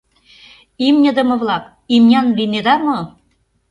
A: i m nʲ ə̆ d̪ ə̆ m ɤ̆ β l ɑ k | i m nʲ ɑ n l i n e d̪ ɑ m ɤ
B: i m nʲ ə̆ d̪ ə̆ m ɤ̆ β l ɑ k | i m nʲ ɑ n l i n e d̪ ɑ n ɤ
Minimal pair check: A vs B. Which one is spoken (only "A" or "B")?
A